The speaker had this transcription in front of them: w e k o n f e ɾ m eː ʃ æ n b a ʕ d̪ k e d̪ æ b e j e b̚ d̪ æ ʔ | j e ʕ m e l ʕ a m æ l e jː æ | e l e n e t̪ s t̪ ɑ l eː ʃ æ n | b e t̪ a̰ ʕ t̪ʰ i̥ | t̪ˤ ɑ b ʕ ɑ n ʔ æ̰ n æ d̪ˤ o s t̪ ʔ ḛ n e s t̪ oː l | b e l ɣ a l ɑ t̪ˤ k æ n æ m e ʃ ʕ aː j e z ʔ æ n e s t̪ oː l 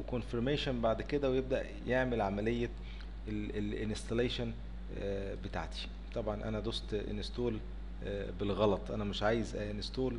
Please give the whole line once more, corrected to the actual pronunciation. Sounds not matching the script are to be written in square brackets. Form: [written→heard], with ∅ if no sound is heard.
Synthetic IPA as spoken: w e k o n f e ɾ m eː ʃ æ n b a ʕ d̪ k e d̪ æ [b→w] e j e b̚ d̪ æ ʔ | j e ʕ m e l ʕ a m æ l e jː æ | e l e n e [t̪→∅] s t̪ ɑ l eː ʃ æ n | b e t̪ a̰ ʕ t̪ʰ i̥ | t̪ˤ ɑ b ʕ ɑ n ʔ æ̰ n æ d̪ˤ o s t̪ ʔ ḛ n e s t̪ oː l | b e l ɣ [a→ɑ] l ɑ t̪ˤ [k→ʔ] æ n æ m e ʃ ʕ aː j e z ʔ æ n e s t̪ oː l